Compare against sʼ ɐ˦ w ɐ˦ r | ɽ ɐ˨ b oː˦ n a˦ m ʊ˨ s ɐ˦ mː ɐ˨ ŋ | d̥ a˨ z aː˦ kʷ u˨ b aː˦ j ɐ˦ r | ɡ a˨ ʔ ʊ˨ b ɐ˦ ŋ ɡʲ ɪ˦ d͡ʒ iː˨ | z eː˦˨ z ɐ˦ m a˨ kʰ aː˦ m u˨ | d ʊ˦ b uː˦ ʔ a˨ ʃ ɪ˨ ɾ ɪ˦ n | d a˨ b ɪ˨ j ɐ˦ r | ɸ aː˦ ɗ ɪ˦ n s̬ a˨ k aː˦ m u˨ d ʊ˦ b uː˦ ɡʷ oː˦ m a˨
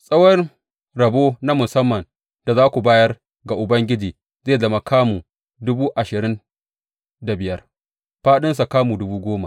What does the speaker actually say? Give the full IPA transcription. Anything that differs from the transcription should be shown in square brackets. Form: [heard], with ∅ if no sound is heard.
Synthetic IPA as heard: sʼ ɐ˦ w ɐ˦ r | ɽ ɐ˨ b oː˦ n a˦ m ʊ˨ s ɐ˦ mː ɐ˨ [n] | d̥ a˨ z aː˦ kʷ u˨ b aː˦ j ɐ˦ r | ɡ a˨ ʔ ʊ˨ b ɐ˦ ŋ ɡʲ ɪ˦ d͡ʒ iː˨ | z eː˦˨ z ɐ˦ m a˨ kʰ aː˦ m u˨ | d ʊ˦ b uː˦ ʔ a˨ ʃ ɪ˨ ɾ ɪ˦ n | d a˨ b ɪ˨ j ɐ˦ r | ɸ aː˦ ɗ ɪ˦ n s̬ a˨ k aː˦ m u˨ d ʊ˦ b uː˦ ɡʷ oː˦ m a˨